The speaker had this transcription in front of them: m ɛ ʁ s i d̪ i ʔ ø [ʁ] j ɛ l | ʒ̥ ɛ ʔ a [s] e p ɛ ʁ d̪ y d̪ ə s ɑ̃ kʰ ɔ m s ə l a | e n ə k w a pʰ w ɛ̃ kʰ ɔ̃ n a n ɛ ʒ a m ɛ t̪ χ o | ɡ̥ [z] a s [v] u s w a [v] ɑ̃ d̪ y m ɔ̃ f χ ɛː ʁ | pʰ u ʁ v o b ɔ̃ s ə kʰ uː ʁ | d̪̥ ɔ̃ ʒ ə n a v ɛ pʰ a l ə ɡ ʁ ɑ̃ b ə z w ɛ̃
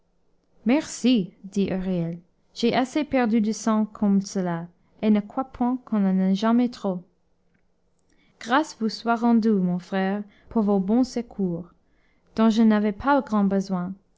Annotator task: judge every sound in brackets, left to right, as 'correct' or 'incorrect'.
correct, correct, incorrect, correct, incorrect

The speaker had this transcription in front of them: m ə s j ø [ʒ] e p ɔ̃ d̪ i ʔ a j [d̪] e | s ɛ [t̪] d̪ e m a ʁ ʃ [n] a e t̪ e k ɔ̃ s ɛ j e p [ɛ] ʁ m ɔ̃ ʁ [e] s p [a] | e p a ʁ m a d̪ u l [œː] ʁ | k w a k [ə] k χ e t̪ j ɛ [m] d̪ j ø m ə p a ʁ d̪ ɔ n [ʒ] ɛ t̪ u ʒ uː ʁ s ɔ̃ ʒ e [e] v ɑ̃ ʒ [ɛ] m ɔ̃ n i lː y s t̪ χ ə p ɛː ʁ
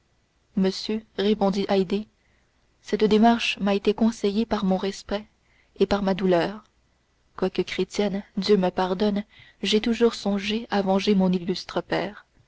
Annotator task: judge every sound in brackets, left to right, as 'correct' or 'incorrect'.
incorrect, correct, correct, incorrect, incorrect, incorrect, incorrect, correct, correct, incorrect, correct, incorrect, incorrect

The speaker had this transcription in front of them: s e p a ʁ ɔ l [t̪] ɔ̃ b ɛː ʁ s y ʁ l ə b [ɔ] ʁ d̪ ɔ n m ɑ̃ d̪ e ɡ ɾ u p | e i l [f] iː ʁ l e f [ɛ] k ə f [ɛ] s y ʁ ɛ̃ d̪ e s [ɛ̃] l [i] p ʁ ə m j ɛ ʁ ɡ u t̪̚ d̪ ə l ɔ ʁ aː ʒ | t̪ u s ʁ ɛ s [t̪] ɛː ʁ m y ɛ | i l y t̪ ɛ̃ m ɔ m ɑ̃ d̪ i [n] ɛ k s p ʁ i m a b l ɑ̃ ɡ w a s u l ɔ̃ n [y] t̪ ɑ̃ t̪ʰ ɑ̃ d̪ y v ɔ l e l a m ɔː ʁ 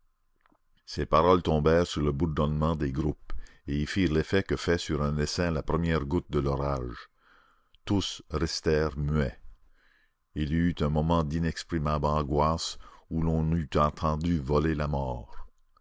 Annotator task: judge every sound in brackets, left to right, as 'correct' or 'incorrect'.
correct, incorrect, correct, correct, correct, correct, incorrect, correct, correct, correct

